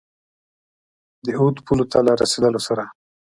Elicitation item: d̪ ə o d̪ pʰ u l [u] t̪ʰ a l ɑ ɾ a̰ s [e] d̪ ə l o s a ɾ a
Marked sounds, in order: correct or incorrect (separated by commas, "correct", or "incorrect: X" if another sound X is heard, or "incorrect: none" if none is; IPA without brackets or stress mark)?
incorrect: o, correct